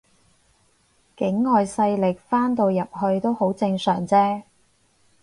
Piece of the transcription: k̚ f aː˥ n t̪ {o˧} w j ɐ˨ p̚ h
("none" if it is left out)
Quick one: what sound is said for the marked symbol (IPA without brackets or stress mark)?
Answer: o˧